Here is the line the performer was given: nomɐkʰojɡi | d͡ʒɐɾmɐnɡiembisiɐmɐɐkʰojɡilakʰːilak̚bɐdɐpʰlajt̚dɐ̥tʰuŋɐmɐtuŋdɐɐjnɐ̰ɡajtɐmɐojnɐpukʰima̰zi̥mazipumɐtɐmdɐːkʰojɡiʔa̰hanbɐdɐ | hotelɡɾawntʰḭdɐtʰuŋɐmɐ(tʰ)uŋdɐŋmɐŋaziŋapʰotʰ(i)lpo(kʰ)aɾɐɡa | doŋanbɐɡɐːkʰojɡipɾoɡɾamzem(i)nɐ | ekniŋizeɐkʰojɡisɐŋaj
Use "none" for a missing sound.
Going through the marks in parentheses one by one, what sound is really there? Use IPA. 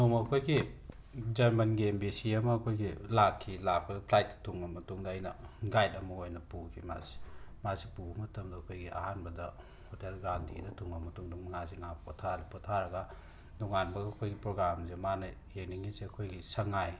t, a, tʰ, a

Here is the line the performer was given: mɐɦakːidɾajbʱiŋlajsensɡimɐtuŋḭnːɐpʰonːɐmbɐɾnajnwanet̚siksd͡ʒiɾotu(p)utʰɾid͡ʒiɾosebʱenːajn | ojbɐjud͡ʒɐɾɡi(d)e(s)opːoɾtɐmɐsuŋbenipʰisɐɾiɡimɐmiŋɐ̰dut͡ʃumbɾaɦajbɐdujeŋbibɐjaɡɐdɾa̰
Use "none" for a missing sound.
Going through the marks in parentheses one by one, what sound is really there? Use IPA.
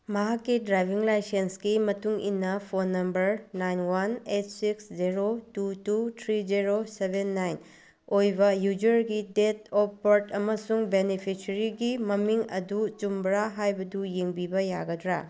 t, d, t

